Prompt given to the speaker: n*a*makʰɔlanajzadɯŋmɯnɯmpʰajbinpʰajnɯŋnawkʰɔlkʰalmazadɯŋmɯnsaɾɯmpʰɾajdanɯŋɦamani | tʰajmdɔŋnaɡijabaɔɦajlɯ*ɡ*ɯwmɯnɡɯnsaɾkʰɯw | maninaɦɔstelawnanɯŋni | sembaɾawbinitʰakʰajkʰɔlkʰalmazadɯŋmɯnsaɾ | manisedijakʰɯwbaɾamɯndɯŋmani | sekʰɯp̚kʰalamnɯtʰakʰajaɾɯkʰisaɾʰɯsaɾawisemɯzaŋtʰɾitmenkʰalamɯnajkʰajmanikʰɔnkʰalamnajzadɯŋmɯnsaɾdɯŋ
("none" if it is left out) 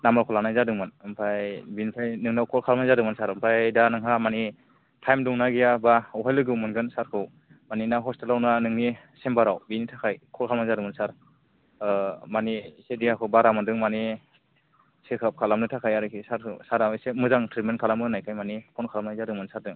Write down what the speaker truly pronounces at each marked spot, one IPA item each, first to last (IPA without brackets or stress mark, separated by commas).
a, ɡ